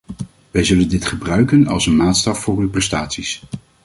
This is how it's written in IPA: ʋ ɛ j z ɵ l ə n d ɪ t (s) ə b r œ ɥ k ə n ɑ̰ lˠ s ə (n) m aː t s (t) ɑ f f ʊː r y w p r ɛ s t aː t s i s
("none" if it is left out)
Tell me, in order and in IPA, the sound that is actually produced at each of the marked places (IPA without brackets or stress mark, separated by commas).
χ, n, t